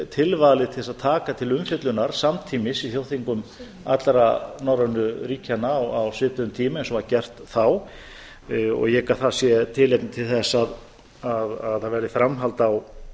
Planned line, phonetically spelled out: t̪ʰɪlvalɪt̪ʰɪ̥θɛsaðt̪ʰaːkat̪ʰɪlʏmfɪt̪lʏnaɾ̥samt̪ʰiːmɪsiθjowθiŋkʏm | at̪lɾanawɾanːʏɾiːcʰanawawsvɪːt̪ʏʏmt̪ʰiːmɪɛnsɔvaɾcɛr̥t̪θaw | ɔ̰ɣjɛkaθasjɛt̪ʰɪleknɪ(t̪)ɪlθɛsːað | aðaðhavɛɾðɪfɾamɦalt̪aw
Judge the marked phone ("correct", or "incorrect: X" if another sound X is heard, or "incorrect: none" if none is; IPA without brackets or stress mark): incorrect: t̪ʰ